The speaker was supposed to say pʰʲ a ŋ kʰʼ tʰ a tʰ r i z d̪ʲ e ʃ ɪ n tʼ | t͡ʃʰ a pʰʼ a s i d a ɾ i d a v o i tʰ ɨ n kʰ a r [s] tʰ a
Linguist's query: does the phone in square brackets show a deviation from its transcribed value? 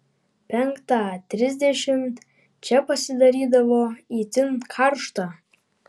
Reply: yes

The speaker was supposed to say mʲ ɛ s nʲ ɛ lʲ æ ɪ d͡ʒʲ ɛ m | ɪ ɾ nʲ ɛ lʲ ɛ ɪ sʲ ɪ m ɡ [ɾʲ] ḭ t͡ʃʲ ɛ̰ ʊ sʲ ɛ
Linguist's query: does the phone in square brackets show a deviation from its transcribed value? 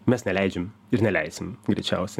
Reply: no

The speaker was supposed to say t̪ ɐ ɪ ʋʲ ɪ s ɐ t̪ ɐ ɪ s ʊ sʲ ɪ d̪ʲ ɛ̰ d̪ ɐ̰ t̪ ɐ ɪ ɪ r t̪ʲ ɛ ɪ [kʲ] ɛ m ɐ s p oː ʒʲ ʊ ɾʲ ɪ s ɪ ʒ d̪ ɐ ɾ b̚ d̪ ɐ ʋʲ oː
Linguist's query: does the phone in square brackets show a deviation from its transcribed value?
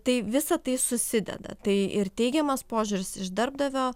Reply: yes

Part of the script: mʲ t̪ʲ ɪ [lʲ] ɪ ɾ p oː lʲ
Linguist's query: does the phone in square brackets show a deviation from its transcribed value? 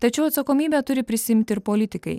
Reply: yes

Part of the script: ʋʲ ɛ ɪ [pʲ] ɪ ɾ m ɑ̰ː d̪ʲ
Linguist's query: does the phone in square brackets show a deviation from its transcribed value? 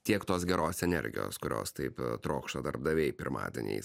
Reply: no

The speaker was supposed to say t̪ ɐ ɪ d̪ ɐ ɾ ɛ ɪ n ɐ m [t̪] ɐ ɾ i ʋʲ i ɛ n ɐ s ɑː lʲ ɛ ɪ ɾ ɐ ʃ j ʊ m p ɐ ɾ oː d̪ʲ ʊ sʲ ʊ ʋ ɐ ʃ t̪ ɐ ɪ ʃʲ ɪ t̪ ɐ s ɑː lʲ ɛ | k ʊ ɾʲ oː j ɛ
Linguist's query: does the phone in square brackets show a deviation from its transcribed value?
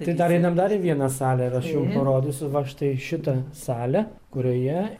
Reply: yes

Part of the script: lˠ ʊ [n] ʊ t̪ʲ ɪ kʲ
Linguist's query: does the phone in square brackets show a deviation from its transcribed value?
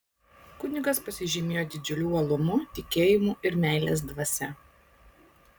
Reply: yes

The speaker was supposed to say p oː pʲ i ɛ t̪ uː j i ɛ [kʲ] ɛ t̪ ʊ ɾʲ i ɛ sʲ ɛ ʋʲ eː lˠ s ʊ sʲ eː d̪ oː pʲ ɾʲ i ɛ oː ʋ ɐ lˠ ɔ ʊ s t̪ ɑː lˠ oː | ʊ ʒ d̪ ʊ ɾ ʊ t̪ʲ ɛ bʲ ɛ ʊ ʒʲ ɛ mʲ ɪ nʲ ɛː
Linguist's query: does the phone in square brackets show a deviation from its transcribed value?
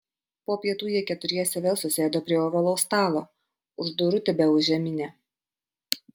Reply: no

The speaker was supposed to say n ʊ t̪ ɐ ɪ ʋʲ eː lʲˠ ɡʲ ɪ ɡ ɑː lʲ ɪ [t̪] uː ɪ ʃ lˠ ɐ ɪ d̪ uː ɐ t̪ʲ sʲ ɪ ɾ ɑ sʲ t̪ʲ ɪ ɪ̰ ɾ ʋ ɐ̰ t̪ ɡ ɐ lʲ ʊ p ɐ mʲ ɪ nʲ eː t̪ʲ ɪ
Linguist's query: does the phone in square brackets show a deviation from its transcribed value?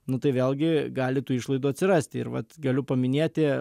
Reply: no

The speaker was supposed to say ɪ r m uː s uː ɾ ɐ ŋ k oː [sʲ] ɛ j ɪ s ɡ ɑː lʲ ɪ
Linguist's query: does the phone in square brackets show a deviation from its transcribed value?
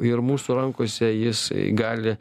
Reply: no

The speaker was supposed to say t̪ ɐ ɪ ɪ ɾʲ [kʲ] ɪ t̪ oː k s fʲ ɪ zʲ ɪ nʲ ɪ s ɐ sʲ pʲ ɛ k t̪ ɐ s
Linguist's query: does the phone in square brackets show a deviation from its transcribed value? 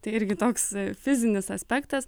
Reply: yes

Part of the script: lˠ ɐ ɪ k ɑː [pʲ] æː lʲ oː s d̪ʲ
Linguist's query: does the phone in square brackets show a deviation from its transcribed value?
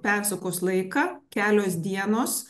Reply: yes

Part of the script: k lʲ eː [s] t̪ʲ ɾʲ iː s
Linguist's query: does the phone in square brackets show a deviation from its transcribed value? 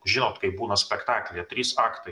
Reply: yes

